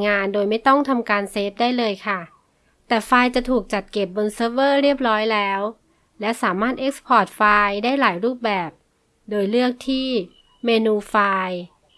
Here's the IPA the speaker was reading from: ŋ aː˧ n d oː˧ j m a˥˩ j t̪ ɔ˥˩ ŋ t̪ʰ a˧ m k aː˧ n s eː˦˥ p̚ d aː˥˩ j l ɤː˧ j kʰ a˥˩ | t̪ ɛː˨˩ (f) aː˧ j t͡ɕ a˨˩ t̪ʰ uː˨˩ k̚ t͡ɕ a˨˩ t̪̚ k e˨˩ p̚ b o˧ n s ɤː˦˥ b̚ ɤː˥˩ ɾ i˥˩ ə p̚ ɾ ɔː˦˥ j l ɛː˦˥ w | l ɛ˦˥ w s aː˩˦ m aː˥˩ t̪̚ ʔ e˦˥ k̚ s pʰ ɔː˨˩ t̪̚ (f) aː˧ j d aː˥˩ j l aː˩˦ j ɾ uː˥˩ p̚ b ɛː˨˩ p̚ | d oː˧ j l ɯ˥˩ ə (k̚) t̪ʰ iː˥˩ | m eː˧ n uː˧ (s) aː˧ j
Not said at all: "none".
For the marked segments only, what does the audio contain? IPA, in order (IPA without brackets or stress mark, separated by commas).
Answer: f, f, k̚, f